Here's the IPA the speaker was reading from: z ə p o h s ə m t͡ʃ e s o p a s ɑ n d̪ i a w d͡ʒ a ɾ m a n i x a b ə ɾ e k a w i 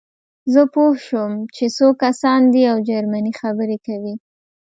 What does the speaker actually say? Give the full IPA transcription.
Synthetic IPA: z ə p o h ʃ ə m t͡ʃ e s o k a s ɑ n d̪ i a w d͡ʒ a ɾ m a n i x a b ə ɾ e k a w i

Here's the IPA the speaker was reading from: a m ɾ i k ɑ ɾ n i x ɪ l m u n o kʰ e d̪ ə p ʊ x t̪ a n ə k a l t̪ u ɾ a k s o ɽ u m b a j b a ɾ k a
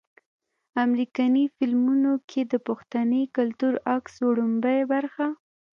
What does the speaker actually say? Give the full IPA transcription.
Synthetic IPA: a m ɾ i k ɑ n i f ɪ l m u n o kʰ e d̪ ə p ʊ x t̪ a n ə k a l t̪ u ɾ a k s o ɽ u m b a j b a ɾ x a

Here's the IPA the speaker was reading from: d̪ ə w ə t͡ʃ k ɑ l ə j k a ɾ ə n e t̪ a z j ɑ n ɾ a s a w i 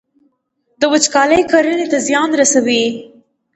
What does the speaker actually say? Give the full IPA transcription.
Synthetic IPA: d̪ ə w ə t͡ʃ k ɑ l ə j k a ɾ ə n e t̪ a z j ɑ n ɾ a s a w i

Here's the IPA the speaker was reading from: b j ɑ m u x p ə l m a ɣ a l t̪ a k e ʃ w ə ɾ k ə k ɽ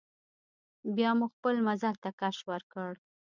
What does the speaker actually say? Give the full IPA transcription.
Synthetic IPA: b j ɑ m u x p ə l m a z a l t̪ a k a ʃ w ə ɾ k ə ɽ

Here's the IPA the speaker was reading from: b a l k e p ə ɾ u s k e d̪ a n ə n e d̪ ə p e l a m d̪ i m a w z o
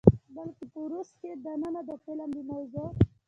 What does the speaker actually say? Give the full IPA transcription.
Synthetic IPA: b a l k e p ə ɾ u s k e d̪ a n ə n a d̪ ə p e l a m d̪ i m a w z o

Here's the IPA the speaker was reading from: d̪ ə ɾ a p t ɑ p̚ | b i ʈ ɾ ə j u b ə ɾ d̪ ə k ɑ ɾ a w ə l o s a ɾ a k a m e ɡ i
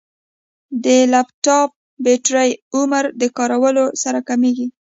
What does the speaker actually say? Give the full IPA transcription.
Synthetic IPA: d̪ ə l a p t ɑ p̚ | b e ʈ ɾ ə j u m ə ɾ d̪ ə k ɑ ɾ a w ə l o s a ɾ a k a m e ɡ i

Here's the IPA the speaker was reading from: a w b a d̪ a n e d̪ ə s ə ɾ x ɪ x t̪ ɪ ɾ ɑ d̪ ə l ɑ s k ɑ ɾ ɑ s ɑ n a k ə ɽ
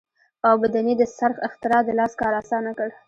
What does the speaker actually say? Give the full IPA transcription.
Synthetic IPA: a w b a d̪ a n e d̪ ə s a ɾ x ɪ x t̪ ɪ ɾ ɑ d̪ ə l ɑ s k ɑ ɾ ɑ s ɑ n a k ə ɽ

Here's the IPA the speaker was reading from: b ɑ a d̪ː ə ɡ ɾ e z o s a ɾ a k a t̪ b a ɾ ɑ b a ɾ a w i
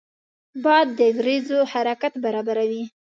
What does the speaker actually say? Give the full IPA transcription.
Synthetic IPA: b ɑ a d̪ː ə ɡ ɾ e z o h a ɾ a k a t̪ b a ɾ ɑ b a ɾ a w i

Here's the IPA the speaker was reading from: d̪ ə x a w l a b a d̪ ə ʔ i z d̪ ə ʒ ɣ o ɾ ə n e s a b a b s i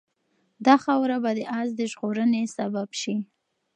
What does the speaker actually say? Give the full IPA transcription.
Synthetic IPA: d̪ ɑ x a w ɾ a b a d̪ ə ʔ a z d̪ ə ʒ ɣ o ɾ ə n e s a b a b ʃ i

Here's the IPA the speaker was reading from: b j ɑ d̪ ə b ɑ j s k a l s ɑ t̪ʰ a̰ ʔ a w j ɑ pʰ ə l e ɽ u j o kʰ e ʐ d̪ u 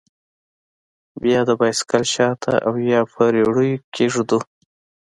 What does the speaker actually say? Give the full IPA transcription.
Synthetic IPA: b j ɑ d̪ ə b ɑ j s k a l ʃ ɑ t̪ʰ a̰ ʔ a w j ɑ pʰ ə ɾ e ɽ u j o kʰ e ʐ d̪ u

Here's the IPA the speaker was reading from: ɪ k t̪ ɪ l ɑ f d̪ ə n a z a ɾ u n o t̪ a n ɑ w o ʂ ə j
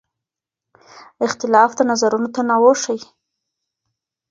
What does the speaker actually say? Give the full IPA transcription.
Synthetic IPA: ɪ x t̪ ɪ l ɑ f d̪ ə n a z a ɾ u n o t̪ a n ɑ w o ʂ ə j

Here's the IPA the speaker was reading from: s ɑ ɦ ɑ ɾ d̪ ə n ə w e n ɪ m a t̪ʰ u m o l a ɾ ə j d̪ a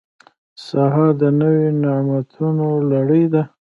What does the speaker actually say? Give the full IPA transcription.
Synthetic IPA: s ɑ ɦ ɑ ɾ d̪ ə n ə w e n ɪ m a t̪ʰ u n o l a ɽ ə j d̪ a

